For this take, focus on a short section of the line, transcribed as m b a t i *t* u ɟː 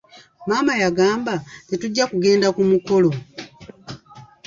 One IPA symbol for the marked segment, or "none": t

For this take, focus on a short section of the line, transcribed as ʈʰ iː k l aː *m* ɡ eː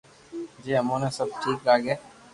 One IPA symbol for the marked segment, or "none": none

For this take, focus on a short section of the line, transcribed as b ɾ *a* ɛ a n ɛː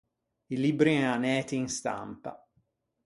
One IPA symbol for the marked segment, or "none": i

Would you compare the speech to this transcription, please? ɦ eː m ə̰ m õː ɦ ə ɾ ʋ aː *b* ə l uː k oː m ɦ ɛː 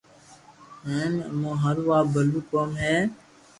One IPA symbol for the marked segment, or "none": b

